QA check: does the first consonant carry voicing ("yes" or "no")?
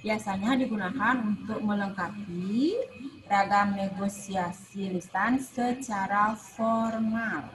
yes